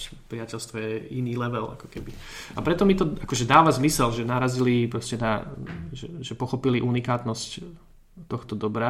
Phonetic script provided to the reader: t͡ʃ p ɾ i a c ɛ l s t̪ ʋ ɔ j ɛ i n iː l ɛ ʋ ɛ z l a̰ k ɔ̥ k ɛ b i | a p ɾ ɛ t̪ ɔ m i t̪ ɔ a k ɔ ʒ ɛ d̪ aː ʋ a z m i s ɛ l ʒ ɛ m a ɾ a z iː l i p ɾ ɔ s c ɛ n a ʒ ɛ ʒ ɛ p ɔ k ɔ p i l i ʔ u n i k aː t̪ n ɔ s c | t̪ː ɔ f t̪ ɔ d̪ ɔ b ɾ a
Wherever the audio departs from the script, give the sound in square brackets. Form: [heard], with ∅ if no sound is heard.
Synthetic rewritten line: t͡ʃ p ɾ i a c ɛ l s t̪ ʋ ɔ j ɛ i n iː l ɛ ʋ ɛ [∅] l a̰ k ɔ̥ k ɛ b i | a p ɾ ɛ t̪ ɔ m i t̪ ɔ a k ɔ ʒ ɛ d̪ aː ʋ a z m i s ɛ l ʒ ɛ [n] a ɾ a z [i] l i p ɾ ɔ s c ɛ n a ʒ ɛ ʒ ɛ p ɔ [x] ɔ p i l i ʔ u n i k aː t̪ n ɔ s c | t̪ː ɔ [x] t̪ ɔ d̪ ɔ b ɾ a